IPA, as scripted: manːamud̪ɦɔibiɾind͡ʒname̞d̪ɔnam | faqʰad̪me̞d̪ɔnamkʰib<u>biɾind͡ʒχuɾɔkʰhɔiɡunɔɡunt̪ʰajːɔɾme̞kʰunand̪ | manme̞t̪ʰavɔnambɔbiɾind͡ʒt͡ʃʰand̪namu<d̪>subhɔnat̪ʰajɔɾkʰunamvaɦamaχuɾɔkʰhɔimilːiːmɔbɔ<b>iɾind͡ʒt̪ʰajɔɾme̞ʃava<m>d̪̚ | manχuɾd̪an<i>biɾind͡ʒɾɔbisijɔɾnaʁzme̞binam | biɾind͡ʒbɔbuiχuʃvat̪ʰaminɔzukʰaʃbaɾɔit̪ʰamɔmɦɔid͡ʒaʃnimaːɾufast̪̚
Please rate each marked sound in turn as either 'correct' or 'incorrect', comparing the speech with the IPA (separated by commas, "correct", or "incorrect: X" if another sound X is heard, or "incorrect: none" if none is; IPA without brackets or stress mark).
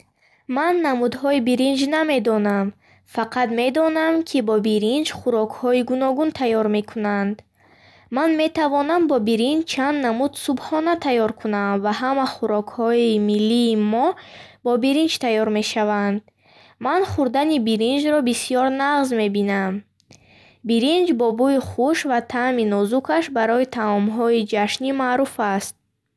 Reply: incorrect: ɔ, correct, correct, incorrect: n, correct